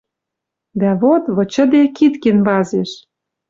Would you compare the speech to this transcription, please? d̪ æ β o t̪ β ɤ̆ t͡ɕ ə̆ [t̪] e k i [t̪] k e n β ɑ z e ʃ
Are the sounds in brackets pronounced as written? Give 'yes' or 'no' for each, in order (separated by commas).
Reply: no, yes